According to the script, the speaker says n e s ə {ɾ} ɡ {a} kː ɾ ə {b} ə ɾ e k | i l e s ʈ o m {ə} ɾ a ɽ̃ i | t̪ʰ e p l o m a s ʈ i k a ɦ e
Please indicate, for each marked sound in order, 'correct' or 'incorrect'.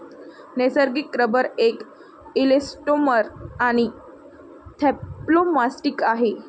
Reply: correct, incorrect, correct, correct

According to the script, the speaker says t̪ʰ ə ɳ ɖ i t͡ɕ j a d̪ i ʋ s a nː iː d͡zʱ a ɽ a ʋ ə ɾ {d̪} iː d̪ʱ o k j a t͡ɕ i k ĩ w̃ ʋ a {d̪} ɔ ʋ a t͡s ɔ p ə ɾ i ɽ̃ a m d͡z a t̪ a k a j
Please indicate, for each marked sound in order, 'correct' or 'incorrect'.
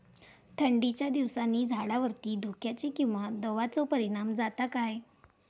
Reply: incorrect, correct

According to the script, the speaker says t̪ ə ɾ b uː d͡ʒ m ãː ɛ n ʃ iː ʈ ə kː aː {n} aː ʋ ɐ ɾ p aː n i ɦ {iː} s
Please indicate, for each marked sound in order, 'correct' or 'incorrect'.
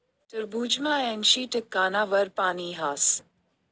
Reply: correct, incorrect

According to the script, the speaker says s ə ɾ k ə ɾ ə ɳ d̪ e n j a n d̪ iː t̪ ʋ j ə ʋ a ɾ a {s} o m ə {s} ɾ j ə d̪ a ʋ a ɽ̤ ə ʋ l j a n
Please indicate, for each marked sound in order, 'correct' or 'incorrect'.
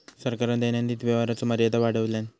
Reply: incorrect, incorrect

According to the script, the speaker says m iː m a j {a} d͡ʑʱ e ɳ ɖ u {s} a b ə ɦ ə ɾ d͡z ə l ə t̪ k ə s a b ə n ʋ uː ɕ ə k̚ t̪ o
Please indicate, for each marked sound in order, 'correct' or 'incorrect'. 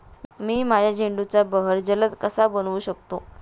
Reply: correct, incorrect

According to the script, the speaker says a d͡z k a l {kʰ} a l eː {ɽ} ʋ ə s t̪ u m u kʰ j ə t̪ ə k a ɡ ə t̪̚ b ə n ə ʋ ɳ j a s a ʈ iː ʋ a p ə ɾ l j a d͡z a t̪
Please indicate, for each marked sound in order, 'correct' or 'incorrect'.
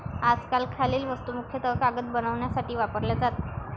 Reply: correct, incorrect

